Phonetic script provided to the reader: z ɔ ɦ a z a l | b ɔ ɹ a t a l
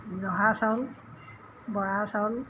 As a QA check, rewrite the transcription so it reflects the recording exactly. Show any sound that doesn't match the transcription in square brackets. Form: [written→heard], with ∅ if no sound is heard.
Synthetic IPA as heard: z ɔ ɦ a [z→s] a l | b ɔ ɹ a [t→s] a l